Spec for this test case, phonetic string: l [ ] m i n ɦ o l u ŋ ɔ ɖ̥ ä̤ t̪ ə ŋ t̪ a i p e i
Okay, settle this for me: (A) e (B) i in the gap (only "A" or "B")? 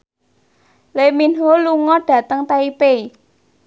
A